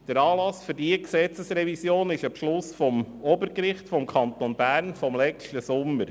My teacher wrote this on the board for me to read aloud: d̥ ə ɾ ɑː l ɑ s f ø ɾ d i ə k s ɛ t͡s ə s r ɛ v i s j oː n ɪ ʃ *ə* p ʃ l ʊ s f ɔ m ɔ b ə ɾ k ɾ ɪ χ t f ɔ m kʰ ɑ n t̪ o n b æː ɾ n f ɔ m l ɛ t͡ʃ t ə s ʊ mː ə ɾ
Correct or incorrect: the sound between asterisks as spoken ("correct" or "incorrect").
incorrect